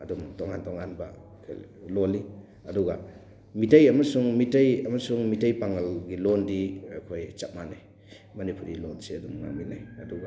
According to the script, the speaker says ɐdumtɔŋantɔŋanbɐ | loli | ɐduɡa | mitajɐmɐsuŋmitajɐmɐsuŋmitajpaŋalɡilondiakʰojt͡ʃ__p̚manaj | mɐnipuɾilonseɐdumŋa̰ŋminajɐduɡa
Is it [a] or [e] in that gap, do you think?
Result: a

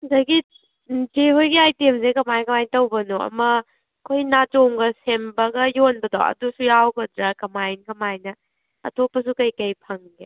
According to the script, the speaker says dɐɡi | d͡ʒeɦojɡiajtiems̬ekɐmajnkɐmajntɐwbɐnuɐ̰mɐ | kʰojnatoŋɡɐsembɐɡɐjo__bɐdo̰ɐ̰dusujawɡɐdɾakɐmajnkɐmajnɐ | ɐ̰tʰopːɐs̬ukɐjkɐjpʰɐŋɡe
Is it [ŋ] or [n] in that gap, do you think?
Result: n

